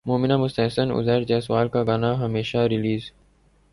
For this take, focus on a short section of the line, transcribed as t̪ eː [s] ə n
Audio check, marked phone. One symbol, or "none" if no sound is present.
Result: s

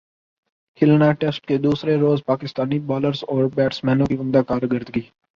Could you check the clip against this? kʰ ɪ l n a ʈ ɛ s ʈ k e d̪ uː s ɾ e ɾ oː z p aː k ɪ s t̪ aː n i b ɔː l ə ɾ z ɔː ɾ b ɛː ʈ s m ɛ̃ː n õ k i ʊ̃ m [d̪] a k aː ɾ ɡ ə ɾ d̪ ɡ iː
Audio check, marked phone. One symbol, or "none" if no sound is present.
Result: d̪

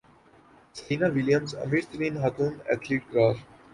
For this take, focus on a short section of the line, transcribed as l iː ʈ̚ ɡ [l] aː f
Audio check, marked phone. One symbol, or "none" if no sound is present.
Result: ɾ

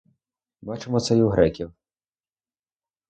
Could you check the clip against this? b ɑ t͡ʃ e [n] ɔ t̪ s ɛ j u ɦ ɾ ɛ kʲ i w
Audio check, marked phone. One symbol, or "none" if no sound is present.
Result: m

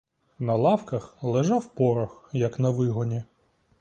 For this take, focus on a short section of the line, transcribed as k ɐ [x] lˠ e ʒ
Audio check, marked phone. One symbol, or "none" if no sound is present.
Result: x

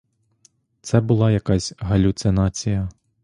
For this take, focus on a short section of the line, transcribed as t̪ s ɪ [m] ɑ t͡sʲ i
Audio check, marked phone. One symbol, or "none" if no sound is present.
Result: n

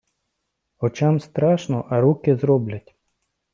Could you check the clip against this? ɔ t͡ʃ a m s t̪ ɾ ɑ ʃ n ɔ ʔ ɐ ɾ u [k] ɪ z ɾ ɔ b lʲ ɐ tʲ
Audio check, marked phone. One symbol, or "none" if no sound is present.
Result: k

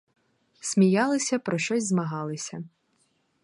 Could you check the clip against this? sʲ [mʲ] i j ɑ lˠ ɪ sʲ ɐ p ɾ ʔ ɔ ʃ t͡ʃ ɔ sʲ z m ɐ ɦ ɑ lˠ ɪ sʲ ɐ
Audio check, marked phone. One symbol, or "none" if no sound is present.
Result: mʲ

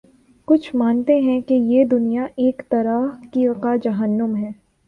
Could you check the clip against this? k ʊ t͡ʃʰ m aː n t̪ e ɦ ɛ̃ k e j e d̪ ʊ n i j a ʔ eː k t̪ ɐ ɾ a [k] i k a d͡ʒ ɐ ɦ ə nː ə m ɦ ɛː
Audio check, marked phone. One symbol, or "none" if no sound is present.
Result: k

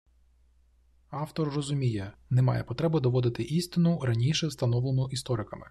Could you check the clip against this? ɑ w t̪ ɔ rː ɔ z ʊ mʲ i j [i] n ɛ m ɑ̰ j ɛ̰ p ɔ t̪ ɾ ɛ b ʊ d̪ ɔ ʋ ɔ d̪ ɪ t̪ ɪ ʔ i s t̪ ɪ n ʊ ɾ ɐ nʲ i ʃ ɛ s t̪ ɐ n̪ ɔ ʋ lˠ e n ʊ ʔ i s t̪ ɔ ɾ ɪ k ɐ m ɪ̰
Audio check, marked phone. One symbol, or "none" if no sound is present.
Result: ɛ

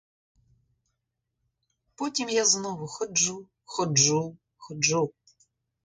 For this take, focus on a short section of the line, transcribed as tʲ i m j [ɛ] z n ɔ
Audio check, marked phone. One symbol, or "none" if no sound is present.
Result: a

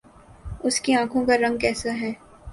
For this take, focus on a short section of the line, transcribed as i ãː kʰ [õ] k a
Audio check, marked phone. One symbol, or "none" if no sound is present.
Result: õ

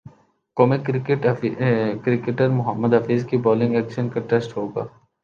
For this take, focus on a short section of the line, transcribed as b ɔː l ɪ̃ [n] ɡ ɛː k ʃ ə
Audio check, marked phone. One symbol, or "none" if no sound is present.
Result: ŋ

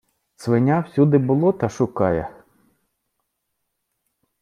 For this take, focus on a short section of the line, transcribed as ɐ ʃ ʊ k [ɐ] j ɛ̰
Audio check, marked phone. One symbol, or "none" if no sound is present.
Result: ɑ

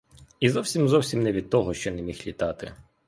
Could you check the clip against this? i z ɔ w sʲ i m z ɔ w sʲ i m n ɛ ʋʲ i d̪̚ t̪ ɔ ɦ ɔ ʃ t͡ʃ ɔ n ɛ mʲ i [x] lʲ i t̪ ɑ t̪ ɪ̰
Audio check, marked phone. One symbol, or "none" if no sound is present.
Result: x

